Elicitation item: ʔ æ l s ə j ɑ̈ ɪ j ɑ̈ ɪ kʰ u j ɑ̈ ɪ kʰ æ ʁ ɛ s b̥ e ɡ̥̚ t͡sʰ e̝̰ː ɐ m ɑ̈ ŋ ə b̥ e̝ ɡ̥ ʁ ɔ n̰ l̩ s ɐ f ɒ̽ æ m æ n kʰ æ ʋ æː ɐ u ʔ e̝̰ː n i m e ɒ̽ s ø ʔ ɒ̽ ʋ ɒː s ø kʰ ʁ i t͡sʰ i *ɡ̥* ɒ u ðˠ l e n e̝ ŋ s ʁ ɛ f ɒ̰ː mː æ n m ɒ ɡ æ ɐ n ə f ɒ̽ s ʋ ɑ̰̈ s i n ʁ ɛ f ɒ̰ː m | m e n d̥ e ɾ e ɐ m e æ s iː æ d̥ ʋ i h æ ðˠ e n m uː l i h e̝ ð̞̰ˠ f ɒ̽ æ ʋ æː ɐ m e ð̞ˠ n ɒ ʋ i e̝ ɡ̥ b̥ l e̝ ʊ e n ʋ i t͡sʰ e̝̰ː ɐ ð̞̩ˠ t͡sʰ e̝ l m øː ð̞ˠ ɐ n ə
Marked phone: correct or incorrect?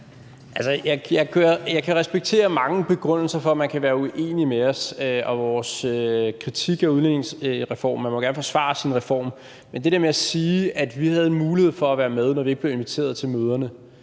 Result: correct